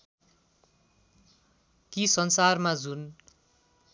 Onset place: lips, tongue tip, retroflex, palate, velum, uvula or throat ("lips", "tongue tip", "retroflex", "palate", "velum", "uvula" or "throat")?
velum